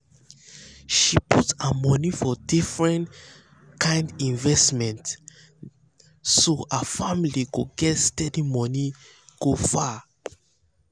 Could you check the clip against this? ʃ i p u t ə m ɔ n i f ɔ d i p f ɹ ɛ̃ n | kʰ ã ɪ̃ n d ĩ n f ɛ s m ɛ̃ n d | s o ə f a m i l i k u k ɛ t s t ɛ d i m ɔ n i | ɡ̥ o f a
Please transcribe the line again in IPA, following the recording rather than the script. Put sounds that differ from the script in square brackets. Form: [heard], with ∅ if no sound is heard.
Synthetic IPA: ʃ i p u t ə m ɔ n i f ɔ d i [∅] f ɹ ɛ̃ n | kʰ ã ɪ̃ n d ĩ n [v] ɛ s m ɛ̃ n [t] | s o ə f a m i l i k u [ɡ] ɛ t s t ɛ d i m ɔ n i | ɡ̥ o f a